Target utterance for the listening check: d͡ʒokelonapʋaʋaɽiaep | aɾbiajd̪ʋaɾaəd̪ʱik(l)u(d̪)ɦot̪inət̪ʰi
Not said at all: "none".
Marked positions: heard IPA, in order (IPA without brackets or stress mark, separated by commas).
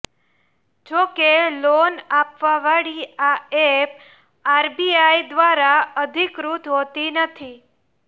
ɾ, t̪